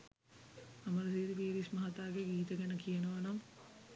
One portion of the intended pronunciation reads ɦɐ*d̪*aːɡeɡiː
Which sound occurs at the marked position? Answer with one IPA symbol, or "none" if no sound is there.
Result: t̪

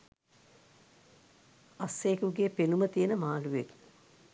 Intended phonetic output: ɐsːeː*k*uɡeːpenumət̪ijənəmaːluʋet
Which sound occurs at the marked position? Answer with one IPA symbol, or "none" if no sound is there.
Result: k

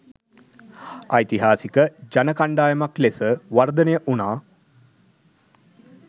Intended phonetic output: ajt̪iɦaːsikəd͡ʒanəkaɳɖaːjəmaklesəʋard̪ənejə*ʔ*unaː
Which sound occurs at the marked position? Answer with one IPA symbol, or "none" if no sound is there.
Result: ʔ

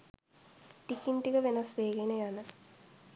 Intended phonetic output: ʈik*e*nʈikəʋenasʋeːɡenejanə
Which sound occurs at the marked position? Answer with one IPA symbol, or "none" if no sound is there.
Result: i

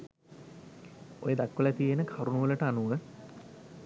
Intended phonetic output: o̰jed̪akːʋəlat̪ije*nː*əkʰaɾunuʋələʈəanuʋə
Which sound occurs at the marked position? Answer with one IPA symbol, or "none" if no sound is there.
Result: n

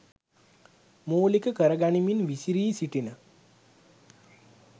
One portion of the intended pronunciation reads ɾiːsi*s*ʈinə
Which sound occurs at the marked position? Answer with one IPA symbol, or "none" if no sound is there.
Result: none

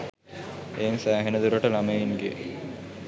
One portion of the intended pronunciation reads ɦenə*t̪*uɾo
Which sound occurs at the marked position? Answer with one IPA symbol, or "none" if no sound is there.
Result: d̪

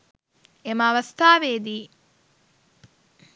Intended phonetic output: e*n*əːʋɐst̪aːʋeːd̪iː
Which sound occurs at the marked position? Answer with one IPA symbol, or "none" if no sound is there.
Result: m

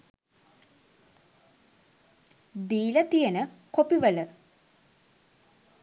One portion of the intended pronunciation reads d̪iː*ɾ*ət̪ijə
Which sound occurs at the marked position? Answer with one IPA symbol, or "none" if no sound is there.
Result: l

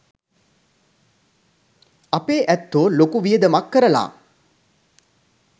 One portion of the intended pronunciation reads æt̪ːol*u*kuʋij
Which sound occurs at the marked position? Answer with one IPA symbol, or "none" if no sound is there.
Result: o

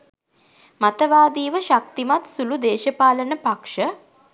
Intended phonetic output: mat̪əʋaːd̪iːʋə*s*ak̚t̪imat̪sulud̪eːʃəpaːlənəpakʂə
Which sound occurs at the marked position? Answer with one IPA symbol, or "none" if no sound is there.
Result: ʃ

